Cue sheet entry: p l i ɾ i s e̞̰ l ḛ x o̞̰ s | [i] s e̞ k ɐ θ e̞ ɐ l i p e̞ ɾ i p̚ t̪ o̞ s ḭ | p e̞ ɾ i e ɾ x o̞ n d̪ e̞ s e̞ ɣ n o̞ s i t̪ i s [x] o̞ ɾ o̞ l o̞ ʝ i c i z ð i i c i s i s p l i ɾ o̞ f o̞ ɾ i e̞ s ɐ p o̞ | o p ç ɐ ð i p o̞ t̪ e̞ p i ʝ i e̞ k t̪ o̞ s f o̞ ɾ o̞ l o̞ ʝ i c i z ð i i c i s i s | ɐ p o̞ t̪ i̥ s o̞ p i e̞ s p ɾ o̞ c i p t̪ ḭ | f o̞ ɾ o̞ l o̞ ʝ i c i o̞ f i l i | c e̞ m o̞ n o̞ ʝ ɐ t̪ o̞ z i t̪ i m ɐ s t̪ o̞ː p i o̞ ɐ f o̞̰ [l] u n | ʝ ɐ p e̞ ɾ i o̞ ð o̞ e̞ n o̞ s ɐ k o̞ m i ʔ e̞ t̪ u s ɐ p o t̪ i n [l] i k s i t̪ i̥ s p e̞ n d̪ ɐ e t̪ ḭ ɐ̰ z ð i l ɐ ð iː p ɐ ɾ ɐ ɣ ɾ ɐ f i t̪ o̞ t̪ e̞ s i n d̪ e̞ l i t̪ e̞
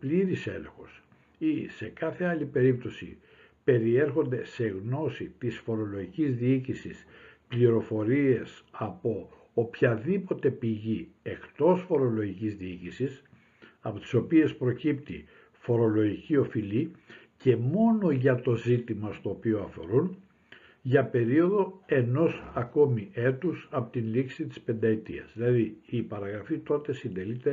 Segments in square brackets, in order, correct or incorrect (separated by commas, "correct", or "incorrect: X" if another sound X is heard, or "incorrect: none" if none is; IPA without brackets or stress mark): correct, incorrect: f, incorrect: ɾ, correct